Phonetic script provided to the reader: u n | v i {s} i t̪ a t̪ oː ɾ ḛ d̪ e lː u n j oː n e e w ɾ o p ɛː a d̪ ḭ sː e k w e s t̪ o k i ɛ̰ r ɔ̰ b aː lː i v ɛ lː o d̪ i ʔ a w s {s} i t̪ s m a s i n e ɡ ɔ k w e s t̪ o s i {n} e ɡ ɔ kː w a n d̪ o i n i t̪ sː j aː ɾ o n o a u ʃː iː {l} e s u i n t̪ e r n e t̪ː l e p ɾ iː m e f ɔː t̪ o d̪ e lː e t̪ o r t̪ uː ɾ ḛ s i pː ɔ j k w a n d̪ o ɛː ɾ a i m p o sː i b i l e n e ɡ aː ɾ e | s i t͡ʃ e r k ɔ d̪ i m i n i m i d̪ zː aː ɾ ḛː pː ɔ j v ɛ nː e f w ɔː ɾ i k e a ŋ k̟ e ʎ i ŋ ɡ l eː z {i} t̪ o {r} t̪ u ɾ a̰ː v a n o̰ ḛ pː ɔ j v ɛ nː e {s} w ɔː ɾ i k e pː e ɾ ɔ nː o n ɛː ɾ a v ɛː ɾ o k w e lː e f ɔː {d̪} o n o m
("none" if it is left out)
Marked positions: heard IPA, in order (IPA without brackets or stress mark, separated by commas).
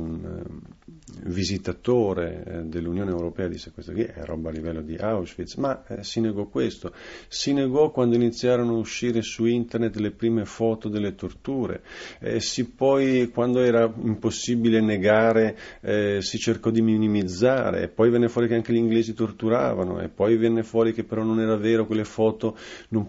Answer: z, f, n, ɾ, i, r, f, t̪